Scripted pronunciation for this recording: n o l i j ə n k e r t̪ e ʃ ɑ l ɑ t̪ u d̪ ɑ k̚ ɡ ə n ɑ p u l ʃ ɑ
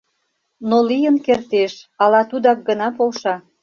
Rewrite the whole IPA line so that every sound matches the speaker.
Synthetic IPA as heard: n o l i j ə n k e r t̪ e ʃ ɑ l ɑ t̪ u d̪ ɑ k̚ ɡ ə n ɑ p o l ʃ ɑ